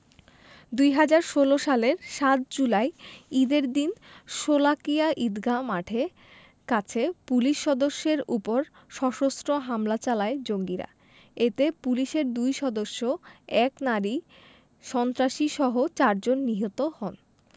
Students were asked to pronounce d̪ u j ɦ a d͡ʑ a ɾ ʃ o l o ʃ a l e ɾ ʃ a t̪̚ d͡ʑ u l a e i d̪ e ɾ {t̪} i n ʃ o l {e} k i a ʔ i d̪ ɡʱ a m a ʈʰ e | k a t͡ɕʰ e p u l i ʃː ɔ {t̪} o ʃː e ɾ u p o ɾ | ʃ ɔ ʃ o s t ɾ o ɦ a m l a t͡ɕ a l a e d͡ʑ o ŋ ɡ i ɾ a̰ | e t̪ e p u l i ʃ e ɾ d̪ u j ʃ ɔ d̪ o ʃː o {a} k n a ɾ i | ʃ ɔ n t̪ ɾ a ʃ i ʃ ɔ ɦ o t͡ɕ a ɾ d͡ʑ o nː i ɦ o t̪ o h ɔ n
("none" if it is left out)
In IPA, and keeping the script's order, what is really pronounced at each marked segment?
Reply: d̪, a, d̪, ɛ

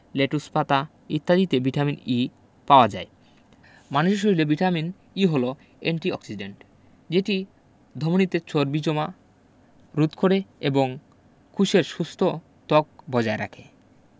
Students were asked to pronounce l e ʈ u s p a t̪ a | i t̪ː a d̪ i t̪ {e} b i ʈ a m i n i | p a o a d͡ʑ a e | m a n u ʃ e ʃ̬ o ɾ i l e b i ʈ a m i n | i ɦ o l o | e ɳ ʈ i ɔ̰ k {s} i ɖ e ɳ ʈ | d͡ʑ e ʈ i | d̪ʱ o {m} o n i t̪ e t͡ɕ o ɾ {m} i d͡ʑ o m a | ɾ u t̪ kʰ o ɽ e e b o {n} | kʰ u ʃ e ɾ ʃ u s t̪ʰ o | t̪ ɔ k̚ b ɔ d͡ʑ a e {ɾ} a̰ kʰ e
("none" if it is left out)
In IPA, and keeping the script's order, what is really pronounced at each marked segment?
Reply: e, s, m, b, ŋ, ɾ

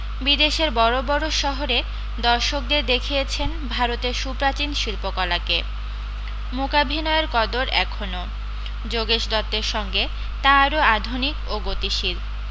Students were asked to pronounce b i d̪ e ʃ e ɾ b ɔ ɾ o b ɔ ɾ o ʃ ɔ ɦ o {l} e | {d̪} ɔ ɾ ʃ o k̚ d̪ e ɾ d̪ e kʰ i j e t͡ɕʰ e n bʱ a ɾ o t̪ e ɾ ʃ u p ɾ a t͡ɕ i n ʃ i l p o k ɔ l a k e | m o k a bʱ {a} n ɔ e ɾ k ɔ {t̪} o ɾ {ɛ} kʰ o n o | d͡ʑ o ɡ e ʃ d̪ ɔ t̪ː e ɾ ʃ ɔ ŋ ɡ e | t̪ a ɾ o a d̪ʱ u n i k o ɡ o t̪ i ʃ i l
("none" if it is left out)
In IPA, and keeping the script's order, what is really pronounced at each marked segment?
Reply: ɾ, d̪, i, d̪, ɛ

